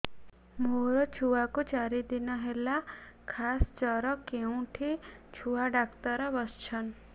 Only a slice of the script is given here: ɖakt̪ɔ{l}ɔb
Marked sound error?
yes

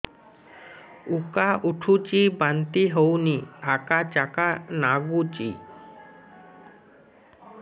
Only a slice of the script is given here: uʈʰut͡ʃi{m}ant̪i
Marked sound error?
yes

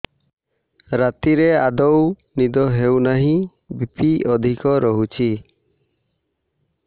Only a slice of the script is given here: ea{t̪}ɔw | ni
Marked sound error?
yes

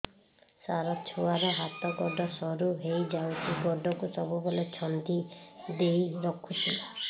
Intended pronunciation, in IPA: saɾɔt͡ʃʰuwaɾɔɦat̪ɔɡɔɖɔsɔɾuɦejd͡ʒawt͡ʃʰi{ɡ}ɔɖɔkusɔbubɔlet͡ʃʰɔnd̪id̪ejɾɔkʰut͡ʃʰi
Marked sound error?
no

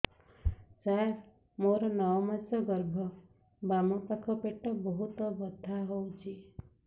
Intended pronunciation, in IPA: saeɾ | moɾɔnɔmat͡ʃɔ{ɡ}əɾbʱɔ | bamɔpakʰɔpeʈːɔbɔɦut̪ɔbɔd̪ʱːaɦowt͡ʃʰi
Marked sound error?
no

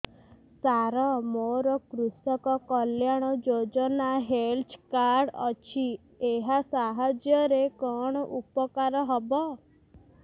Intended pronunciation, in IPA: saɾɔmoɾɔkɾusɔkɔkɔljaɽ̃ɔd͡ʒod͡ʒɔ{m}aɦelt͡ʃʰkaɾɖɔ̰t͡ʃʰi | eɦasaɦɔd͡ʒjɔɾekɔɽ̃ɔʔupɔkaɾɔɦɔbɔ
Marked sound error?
yes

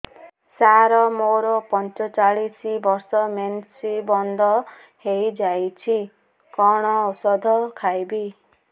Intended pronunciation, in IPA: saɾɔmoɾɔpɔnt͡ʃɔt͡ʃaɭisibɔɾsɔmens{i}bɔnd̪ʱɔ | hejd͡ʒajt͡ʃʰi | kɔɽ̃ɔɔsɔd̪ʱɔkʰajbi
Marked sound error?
no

